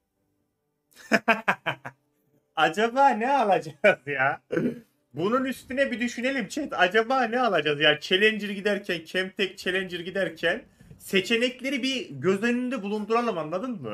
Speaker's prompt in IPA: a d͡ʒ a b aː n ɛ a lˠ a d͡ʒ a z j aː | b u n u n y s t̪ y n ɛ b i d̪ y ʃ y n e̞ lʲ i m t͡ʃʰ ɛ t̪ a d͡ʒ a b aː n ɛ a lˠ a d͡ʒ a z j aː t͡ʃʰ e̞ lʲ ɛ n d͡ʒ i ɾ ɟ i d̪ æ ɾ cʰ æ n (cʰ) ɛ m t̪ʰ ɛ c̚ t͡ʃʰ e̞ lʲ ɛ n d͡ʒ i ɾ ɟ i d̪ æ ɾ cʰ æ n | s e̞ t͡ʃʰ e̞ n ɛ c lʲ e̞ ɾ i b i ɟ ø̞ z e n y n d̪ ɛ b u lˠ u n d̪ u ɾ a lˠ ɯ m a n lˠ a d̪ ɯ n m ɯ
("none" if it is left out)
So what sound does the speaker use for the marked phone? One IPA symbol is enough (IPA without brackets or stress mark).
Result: cʰ